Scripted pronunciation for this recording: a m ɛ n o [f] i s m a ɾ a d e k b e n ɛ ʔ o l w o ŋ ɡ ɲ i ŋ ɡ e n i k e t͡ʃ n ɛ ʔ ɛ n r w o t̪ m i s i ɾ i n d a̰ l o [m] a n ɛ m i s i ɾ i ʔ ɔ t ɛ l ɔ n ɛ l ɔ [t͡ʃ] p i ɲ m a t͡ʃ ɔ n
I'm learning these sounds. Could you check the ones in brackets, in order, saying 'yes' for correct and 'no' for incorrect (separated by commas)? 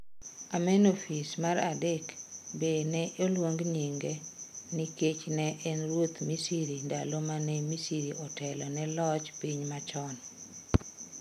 yes, yes, yes